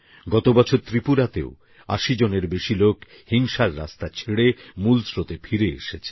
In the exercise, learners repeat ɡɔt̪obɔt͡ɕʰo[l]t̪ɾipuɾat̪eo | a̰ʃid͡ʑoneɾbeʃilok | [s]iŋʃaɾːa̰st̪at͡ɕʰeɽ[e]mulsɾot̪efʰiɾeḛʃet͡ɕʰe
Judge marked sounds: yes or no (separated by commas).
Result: no, no, yes